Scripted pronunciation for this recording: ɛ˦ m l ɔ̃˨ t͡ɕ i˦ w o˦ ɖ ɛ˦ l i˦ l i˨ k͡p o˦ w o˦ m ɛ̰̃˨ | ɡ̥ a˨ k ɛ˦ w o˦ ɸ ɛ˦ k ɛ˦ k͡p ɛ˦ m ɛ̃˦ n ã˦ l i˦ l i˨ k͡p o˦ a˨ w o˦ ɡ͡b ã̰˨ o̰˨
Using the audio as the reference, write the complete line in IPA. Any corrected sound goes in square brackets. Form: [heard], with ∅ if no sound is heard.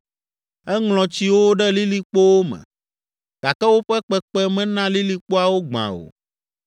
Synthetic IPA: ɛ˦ [ŋ] l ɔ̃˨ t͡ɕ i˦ w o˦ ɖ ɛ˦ l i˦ l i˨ k͡p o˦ w o˦ m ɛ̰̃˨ | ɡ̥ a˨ k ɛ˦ w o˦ ɸ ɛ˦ [k͡p] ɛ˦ k͡p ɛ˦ m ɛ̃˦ n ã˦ l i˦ l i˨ k͡p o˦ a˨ w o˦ ɡ͡b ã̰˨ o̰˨